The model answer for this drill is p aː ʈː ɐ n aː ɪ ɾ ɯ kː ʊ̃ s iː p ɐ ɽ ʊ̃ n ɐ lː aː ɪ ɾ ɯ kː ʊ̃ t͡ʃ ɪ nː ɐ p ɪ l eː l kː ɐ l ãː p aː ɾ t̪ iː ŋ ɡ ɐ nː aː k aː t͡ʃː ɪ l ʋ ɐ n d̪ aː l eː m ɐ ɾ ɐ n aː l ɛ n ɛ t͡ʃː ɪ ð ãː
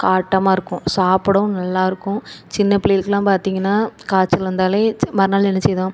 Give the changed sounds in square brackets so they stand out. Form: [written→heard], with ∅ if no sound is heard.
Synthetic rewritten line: [p→k] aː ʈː ɐ [n→m] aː ɪ ɾ ɯ kː ʊ̃ s [iː→aː] p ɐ ɽ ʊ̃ n ɐ lː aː ɪ ɾ ɯ kː ʊ̃ t͡ʃ ɪ nː ɐ p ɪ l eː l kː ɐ l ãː p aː ɾ t̪ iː ŋ ɡ ɐ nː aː k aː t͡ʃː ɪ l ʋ ɐ n d̪ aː l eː m ɐ ɾ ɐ n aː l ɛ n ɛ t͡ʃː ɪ ð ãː